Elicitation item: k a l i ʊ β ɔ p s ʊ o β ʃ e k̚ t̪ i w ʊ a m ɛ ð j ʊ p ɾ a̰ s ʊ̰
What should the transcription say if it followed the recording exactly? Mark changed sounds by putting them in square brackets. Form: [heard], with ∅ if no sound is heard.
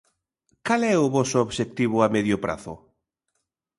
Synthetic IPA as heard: k a l [ɛ] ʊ β ɔ [∅] s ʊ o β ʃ e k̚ t̪ i [β] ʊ a m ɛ ð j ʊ p ɾ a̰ [θ] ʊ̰